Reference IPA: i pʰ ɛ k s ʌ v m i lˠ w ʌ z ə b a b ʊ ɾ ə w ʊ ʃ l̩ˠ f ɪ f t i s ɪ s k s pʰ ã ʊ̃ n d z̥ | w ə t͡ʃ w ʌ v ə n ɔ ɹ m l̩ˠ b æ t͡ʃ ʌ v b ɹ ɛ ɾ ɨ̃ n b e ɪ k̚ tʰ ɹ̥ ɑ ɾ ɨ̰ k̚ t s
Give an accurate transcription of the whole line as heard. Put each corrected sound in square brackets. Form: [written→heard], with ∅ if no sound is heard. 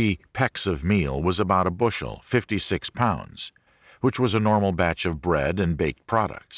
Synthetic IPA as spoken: i pʰ ɛ k s ʌ v m i lˠ w ʌ z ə b a [b→∅] ʊ ɾ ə [w→b] ʊ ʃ l̩ˠ f ɪ f t i s ɪ [s→∅] k s pʰ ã ʊ̃ n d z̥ | w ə t͡ʃ w ʌ [v→z] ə n ɔ ɹ m l̩ˠ b æ t͡ʃ ʌ v b ɹ ɛ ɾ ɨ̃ n b e ɪ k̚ [tʰ→pʰ] ɹ̥ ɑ ɾ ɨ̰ k̚ t s

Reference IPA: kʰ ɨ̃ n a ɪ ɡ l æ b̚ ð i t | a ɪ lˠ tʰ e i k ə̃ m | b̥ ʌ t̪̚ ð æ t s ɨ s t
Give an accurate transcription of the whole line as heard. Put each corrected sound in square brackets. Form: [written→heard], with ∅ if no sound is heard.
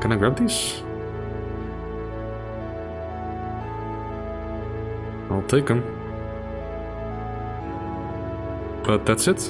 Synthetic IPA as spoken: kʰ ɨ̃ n a ɪ ɡ [l→ɹ] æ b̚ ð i [t→s] | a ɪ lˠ tʰ e [i→ɪ] k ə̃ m | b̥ ʌ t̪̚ ð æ t s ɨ [s→∅] t

